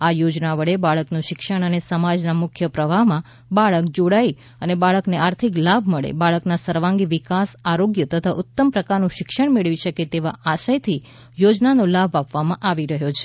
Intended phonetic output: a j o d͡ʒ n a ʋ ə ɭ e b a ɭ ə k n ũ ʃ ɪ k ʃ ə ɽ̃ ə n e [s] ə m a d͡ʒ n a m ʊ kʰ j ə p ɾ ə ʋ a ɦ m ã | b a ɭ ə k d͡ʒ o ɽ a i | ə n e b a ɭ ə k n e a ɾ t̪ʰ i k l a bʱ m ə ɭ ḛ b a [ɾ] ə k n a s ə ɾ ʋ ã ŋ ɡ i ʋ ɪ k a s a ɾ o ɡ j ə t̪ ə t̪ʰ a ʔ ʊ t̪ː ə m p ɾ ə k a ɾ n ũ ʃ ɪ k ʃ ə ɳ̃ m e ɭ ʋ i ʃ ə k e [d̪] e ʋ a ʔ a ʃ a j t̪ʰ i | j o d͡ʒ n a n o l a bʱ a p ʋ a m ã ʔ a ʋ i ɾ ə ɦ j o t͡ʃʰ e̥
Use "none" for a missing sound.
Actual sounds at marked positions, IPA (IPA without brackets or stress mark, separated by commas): s, ɭ, t̪